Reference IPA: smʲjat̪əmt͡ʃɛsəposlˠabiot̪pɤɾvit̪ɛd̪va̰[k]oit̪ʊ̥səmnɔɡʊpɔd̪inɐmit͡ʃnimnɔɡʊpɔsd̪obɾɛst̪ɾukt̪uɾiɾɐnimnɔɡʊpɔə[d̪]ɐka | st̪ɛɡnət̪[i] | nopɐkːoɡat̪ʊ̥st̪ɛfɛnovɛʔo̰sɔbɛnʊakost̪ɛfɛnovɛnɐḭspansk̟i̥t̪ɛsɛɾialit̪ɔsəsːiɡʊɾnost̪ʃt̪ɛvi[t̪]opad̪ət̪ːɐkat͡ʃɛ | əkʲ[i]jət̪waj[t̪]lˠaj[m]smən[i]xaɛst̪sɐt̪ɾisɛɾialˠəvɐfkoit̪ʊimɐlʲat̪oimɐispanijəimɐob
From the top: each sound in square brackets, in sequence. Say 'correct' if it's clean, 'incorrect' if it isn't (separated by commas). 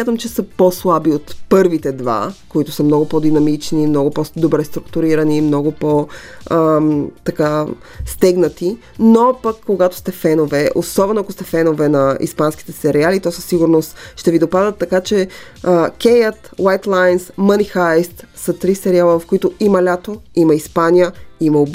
correct, incorrect, correct, incorrect, incorrect, correct, incorrect, correct